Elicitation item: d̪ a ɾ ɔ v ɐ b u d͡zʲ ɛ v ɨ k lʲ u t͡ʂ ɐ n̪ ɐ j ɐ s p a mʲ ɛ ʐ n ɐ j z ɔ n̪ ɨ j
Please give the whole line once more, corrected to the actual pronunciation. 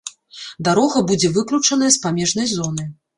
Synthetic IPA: d̪ a ɾ ɔ ɣ ɐ b u d͡zʲ ɛ v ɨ k lʲ u t͡ʂ ɐ n̪ ɐ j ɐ s p a mʲ ɛ ʐ n ɐ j z ɔ n̪ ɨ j